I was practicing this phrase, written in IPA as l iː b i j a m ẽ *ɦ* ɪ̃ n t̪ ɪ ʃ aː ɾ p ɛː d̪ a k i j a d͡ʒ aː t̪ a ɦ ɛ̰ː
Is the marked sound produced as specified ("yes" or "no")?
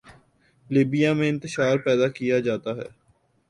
no